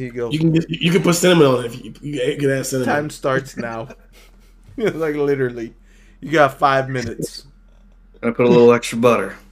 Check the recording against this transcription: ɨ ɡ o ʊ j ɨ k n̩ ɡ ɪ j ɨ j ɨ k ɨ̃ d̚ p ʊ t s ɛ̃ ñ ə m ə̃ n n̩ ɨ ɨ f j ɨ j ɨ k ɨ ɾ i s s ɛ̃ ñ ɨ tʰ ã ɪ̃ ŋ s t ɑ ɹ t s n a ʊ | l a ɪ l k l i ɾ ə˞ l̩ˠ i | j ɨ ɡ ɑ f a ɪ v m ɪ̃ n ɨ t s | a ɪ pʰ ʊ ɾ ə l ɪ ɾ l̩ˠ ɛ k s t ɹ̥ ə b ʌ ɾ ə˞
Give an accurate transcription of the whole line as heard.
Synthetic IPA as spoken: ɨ ɡ o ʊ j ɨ k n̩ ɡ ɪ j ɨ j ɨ k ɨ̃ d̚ p ʊ t s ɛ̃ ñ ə m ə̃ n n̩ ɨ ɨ f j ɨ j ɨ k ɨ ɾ æ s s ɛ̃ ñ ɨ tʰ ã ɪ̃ m s t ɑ ɹ t s n a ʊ | l a ɪ k l ɪ ɾ ə˞ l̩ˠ i | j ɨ ɡ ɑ f a ɪ v m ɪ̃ n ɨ t s | a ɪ pʰ ʊ ɾ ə l ɪ ɾ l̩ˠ ɛ k s t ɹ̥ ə b ʌ ɾ ə˞